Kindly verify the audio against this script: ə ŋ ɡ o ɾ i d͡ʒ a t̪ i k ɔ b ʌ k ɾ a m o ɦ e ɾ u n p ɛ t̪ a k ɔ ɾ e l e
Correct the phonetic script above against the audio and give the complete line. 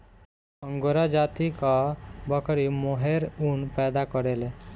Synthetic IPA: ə ŋ ɡ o ɾ a d͡ʒ a t̪ i k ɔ b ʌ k ɾ i m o ɦ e ɾ u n p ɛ d̪ a k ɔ ɾ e l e